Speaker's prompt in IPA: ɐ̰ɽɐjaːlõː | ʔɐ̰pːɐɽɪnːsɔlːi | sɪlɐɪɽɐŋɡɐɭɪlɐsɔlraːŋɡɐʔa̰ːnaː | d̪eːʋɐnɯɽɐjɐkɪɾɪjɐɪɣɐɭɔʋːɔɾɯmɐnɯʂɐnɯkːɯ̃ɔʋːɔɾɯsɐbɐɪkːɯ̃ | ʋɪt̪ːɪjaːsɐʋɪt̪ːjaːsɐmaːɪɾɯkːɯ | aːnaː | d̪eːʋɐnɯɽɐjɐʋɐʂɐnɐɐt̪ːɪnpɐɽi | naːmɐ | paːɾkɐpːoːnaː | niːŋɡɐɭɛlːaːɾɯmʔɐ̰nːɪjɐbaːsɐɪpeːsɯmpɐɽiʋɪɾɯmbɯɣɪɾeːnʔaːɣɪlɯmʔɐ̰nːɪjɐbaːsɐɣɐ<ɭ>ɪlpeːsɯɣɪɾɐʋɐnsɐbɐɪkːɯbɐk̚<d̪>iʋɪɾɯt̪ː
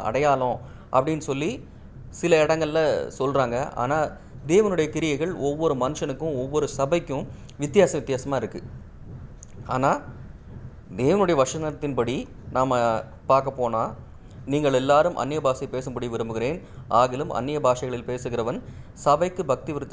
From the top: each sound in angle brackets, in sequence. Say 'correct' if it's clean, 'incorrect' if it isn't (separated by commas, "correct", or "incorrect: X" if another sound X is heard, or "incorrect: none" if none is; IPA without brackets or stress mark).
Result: correct, incorrect: t̪